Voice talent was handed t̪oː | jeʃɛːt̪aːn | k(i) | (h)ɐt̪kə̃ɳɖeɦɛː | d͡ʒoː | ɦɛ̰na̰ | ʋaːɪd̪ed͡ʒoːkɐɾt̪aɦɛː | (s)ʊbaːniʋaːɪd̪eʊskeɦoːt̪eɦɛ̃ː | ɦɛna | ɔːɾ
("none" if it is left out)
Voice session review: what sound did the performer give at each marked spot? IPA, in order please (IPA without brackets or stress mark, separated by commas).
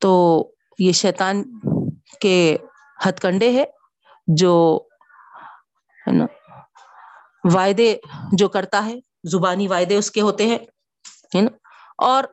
e, h, z